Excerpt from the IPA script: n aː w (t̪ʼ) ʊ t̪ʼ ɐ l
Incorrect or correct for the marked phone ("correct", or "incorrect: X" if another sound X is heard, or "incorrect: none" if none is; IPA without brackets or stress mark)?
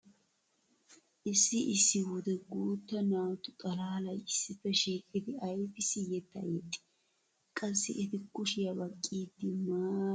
incorrect: t̪